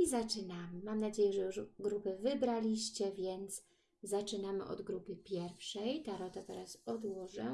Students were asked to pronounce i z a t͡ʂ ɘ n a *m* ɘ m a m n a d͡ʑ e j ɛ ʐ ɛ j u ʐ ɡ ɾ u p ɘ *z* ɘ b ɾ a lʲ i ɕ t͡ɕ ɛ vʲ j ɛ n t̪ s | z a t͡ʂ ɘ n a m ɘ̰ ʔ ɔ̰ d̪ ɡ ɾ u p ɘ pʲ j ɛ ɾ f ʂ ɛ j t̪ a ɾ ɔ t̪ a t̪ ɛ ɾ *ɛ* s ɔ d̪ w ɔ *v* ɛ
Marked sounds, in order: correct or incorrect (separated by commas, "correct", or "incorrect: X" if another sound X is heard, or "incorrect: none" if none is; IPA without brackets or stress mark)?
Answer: correct, incorrect: v, incorrect: a, incorrect: ʐ